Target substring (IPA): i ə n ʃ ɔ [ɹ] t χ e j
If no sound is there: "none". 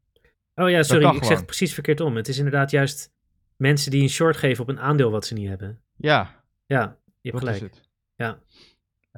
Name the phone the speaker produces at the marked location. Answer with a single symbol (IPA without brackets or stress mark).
ɹ